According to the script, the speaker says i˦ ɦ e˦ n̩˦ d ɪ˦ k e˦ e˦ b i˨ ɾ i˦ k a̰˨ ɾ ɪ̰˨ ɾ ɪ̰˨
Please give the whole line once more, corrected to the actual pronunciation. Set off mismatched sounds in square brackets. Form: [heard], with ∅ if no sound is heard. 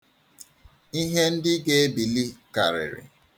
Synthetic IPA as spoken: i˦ ɦ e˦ n̩˦ d ɪ˦ [ɡ] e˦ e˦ b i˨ [l] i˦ k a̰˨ ɾ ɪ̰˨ ɾ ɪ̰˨